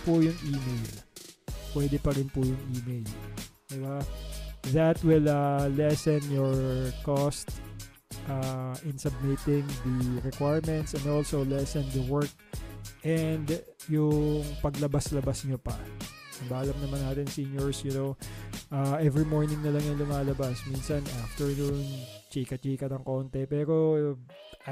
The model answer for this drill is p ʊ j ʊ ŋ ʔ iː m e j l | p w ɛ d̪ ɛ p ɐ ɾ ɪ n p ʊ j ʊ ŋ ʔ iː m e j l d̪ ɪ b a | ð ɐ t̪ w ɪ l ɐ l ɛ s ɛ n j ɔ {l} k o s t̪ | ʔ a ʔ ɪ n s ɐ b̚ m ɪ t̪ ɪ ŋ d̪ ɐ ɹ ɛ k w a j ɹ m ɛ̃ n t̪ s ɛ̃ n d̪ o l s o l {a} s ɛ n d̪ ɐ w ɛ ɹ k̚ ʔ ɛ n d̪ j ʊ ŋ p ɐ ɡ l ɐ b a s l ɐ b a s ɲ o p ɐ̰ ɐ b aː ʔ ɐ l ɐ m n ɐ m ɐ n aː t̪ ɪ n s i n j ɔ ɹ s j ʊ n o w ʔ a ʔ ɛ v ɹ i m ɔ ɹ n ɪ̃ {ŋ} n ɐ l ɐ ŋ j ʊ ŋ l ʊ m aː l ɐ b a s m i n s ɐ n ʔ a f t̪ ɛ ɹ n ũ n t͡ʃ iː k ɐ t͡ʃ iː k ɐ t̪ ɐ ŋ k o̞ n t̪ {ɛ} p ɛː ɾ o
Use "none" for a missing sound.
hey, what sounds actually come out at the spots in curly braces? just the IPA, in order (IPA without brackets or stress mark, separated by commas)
ɹ, ɛ, ŋ, ɛ